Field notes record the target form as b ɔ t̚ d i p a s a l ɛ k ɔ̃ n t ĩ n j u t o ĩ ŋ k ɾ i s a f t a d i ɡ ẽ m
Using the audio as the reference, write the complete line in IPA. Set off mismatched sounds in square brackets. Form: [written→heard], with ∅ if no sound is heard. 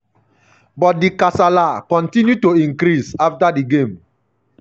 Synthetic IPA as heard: b ɔ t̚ d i [p→k] a s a l [ɛ→a] k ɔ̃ n t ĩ n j u t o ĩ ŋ k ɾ i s a f t a d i ɡ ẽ m